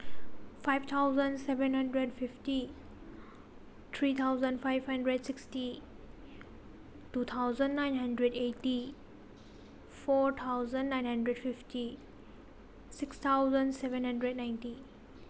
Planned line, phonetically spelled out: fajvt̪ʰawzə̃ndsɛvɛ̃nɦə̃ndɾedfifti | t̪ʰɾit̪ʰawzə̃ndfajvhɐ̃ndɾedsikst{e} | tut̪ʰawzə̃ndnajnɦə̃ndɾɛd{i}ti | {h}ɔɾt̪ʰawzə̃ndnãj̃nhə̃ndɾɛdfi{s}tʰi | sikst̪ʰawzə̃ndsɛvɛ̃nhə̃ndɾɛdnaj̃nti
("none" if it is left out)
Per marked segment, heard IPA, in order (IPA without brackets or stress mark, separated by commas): i, e, f, f